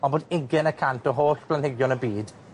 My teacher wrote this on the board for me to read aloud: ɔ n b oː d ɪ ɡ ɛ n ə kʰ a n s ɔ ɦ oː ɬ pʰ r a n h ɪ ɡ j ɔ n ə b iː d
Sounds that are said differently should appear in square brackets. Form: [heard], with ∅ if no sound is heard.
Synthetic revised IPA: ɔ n b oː d ɪ ɡ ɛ n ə kʰ a n [t] ɔ ɦ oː ɬ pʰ [l] a n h ɪ ɡ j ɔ n ə b iː d